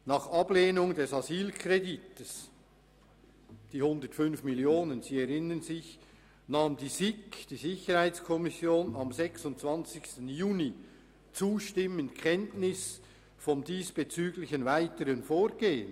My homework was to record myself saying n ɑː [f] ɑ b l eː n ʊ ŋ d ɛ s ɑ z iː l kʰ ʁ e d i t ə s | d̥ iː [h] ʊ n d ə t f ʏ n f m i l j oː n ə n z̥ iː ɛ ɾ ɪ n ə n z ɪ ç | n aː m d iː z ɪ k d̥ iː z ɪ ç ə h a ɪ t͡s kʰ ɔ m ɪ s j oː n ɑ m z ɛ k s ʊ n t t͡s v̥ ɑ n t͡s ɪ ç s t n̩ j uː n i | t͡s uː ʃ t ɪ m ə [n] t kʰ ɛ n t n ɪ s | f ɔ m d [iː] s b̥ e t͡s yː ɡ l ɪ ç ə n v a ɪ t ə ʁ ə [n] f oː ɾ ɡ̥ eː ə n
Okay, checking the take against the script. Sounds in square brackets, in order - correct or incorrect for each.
incorrect, correct, correct, correct, correct

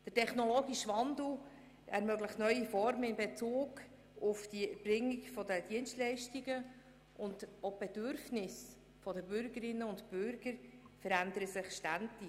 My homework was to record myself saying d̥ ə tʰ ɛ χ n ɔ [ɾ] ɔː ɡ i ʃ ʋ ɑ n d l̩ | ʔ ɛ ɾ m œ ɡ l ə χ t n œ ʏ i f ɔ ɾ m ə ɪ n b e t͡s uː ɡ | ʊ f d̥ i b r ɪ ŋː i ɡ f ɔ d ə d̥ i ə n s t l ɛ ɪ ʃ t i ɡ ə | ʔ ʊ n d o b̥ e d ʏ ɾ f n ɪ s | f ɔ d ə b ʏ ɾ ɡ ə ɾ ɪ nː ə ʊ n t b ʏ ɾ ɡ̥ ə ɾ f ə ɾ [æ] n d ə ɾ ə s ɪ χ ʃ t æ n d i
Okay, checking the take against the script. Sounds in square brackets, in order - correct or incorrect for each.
incorrect, correct

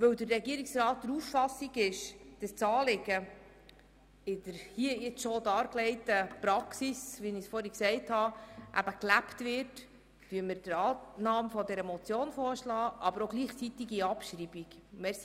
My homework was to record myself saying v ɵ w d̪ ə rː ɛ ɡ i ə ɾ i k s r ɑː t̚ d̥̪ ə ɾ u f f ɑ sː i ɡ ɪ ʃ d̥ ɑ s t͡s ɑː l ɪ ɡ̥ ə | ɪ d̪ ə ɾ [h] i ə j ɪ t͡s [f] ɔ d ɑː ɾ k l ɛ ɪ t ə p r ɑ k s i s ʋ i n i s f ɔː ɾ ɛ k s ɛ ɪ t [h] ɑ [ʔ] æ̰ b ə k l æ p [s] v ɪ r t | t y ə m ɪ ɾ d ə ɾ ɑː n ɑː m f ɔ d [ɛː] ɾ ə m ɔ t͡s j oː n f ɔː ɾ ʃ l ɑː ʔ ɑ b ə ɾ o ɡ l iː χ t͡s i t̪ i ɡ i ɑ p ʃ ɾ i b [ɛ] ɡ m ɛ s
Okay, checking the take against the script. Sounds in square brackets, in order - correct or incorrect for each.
correct, incorrect, correct, correct, incorrect, incorrect, incorrect

